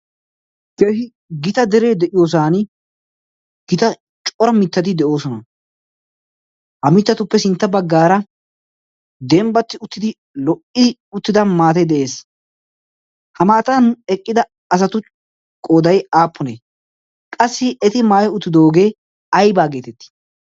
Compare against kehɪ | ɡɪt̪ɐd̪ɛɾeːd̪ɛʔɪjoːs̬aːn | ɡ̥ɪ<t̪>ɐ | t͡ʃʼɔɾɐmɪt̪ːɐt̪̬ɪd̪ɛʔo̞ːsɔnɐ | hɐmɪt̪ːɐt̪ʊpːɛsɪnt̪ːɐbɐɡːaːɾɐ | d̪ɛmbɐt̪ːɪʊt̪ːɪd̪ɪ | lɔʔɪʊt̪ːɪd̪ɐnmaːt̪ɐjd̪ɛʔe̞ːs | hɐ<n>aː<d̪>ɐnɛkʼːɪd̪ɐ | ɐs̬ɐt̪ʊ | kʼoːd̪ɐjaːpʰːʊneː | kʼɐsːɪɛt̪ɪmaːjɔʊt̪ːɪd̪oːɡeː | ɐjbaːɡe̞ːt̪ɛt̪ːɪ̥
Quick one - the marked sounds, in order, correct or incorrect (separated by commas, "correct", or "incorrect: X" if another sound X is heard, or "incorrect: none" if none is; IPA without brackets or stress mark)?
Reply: correct, incorrect: m, incorrect: t̪